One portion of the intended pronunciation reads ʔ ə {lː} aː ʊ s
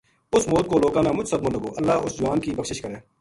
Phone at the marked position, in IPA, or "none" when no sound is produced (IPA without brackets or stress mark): lː